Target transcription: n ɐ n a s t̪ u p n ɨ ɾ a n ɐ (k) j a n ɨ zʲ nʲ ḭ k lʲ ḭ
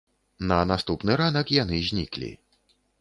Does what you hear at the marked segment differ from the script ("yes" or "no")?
no